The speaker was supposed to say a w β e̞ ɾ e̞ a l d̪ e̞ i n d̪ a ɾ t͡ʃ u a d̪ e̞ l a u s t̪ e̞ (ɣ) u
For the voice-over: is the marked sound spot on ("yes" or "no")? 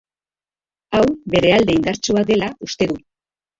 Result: no